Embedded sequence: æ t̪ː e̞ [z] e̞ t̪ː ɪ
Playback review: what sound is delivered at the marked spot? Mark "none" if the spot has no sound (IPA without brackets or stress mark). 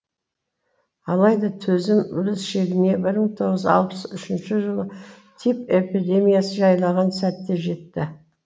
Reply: ʒ